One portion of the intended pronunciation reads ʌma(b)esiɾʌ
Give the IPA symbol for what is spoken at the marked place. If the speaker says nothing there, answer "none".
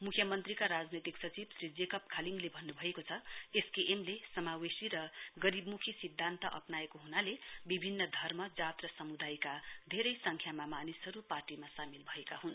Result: w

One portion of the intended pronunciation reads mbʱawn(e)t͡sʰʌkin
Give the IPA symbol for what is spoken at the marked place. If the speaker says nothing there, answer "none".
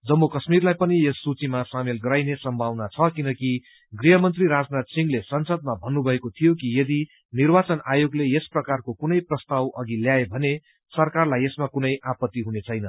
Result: a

